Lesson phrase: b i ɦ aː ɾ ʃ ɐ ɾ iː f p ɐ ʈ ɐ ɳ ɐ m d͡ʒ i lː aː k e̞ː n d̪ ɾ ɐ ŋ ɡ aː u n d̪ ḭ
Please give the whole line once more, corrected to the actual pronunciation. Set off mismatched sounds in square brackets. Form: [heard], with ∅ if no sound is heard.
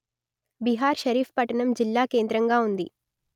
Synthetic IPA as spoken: b i ɦ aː ɾ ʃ ɐ ɾ iː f p ɐ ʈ ɐ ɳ ɐ m d͡ʒ i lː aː k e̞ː n d̪ ɾ ɐ ŋ ɡ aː u n d̪ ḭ